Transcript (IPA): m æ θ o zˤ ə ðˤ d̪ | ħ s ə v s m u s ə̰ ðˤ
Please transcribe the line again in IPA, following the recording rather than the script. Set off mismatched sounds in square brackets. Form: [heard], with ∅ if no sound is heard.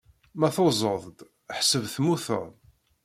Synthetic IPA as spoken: m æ θ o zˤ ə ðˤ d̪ | ħ s ə v [θ] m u [θ] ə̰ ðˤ